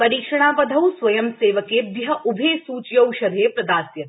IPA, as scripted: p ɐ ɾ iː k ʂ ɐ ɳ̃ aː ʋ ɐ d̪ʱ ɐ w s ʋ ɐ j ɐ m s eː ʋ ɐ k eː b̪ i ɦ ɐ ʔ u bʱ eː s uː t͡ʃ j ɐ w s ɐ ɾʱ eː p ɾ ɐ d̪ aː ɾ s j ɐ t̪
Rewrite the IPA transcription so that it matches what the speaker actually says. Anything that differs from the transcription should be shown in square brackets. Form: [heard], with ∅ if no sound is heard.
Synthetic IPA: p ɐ ɾ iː k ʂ ɐ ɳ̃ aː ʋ ɐ d̪ʱ ɐ w s ʋ ɐ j ɐ m s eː ʋ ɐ k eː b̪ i ɦ ɐ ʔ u bʱ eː s uː t͡ʃ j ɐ w [ʃ] ɐ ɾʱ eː p ɾ ɐ d̪ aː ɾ s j ɐ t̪